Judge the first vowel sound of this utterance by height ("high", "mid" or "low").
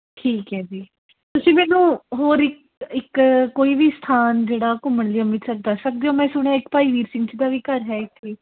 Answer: high